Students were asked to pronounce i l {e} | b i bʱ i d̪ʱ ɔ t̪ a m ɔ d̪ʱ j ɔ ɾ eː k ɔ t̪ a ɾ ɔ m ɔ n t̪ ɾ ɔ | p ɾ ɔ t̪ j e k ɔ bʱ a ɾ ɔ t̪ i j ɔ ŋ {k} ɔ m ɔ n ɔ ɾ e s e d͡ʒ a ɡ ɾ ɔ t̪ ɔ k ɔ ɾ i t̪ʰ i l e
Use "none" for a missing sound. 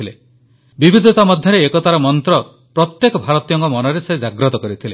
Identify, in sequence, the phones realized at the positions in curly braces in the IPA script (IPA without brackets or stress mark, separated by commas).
e, k